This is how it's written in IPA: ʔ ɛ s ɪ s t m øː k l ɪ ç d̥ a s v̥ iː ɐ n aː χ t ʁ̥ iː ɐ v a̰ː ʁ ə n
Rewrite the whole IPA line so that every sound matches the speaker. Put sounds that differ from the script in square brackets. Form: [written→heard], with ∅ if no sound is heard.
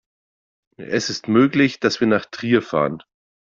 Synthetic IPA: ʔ ɛ s ɪ s t m øː k l ɪ ç d̥ a s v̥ iː ɐ n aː χ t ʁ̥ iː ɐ [v→f] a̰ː ʁ ə n

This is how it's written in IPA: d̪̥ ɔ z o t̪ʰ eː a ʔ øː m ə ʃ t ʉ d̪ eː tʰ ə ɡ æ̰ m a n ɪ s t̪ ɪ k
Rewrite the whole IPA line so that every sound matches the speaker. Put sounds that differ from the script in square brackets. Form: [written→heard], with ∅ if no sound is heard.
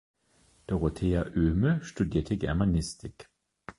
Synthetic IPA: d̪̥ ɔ [z→ʁ] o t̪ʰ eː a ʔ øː m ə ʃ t ʉ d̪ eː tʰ ə ɡ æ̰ m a n ɪ s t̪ ɪ k

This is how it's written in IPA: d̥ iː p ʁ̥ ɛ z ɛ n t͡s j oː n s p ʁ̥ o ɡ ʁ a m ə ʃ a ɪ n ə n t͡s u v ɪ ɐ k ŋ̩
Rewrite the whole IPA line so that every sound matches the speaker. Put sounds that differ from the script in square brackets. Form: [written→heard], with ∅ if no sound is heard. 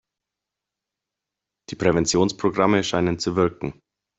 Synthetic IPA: d̥ iː p ʁ̥ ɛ [z→v] ɛ n t͡s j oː n s p ʁ̥ o ɡ ʁ a m ə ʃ a ɪ n ə n t͡s u v ɪ ɐ k ŋ̩

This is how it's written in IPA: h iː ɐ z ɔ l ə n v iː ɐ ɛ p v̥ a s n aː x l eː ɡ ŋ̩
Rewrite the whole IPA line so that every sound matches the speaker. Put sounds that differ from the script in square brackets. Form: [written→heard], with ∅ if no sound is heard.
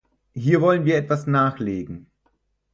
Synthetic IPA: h iː ɐ [z→v] ɔ l ə n v iː ɐ ɛ [p→t] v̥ a s n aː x l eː ɡ ŋ̩

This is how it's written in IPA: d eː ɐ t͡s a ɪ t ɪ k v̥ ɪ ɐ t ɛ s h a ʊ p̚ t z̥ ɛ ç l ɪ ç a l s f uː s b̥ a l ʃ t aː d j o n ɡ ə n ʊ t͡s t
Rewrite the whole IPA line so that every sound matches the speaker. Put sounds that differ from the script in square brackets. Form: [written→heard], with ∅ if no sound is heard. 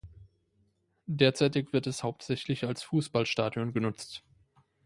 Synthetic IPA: d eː ɐ t͡s a ɪ t ɪ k v̥ ɪ ɐ t ɛ s h a ʊ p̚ t z̥ ɛ ç l ɪ ç a l s f uː s b̥ a l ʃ t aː d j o n ɡ ə n ʊ t͡s t

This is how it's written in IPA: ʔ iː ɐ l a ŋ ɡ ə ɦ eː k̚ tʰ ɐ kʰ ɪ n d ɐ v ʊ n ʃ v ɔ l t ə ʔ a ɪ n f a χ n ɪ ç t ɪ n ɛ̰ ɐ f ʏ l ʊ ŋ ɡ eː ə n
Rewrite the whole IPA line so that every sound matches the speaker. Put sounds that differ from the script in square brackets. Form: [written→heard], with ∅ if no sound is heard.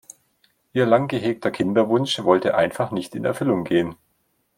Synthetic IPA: ʔ iː ɐ l a ŋ ɡ ə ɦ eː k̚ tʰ ɐ kʰ ɪ n d ɐ v ʊ n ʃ v ɔ l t ə ʔ a ɪ n f a χ n ɪ ç t ɪ n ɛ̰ ɐ f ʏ l ʊ ŋ ɡ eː ə n

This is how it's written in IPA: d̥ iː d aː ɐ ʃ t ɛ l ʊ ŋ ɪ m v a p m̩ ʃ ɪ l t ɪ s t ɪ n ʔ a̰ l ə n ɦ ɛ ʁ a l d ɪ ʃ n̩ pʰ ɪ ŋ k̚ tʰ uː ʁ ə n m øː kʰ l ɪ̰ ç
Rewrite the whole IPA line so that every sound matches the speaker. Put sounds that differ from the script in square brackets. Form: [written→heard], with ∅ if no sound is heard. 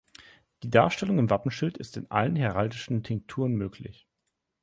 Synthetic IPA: d̥ iː d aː ɐ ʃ t ɛ l ʊ ŋ ɪ m v a p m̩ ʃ ɪ l t ɪ s t ɪ n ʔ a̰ l ə n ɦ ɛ ʁ a l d ɪ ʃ n̩ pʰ ɪ ŋ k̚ tʰ uː ʁ ə n m øː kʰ l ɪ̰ ç

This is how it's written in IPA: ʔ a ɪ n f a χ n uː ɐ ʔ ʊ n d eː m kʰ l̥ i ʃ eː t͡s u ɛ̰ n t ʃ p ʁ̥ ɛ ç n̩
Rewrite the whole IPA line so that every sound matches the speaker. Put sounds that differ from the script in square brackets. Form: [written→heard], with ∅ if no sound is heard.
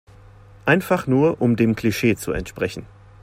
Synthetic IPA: ʔ a ɪ n f a χ n uː ɐ ʔ ʊ [n→m] d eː m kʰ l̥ i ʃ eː t͡s u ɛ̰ n t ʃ p ʁ̥ ɛ ç n̩

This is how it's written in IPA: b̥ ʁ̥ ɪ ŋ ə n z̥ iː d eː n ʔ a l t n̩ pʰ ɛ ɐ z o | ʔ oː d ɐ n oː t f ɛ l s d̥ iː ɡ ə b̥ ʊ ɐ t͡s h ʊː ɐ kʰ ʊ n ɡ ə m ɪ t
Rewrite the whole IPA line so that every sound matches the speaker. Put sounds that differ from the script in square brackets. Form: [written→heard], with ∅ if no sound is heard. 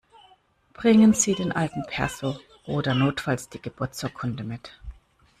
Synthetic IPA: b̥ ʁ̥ ɪ ŋ ə n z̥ iː d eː n ʔ a l t n̩ pʰ ɛ ɐ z o | ʔ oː d ɐ n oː t f [ɛ→a] l s d̥ iː ɡ ə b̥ ʊ ɐ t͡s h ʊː ɐ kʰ ʊ n [ɡ→d] ə m ɪ t

